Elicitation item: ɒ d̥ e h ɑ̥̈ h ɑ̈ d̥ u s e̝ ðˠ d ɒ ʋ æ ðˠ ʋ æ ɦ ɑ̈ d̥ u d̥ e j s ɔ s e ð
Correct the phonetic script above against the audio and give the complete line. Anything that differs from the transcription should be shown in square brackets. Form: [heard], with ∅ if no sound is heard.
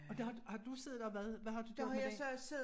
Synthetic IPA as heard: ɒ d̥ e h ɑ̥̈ h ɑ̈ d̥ u s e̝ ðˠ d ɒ ʋ æ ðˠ ʋ æ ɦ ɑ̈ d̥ u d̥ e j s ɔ s e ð